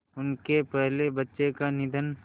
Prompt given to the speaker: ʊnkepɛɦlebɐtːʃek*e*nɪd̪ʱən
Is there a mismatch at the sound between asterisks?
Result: yes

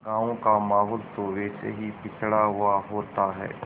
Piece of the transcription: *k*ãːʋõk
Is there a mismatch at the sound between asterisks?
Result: yes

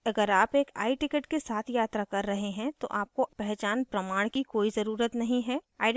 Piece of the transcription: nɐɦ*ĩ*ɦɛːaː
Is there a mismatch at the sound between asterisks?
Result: no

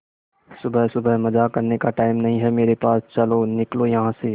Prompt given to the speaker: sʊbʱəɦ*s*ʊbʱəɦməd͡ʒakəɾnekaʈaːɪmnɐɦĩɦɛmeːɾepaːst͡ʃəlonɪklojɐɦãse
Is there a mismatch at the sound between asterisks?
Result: no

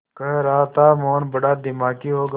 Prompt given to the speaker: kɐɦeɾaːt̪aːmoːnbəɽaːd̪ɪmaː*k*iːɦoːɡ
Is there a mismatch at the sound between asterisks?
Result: no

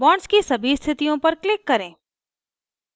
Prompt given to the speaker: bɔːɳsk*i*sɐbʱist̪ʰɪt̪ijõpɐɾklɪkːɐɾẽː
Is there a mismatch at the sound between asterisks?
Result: no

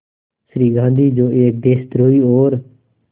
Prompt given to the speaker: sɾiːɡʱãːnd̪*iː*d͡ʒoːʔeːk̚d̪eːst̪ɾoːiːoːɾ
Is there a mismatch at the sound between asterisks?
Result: no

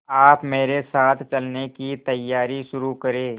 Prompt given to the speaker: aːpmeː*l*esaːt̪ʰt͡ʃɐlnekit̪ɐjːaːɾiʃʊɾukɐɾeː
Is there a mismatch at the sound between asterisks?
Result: yes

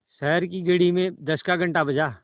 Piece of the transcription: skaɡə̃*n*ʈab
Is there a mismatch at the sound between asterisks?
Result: yes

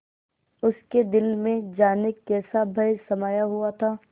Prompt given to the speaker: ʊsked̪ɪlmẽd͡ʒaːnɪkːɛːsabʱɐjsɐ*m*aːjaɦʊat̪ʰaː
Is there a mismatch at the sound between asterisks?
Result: no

